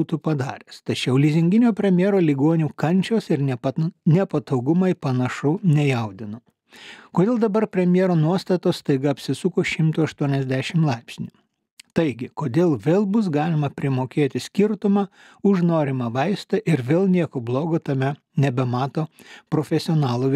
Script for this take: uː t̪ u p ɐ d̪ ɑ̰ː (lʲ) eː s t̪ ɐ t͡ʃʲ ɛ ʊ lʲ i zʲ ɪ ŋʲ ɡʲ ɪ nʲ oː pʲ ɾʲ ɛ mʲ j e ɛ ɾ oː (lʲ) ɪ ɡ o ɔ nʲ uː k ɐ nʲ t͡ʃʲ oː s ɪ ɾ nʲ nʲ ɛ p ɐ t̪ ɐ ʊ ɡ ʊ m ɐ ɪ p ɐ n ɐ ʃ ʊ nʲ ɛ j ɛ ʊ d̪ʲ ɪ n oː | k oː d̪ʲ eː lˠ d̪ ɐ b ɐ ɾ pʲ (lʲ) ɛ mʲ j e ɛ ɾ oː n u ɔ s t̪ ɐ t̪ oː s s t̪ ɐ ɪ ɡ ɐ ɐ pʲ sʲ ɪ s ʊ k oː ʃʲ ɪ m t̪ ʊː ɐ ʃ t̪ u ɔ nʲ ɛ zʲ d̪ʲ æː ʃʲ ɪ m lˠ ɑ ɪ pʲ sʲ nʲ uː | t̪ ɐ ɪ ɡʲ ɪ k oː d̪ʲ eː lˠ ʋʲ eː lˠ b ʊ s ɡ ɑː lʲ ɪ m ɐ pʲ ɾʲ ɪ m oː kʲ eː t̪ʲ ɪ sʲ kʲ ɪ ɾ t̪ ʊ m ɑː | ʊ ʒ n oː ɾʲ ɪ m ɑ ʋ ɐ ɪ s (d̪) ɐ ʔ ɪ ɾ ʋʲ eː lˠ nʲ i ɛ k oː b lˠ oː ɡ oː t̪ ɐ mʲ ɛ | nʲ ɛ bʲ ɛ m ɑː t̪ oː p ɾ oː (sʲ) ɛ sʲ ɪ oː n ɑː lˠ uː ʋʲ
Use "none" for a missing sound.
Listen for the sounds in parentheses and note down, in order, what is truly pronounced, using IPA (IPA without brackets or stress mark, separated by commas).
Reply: ɾʲ, lʲ, ɾʲ, t̪, fʲ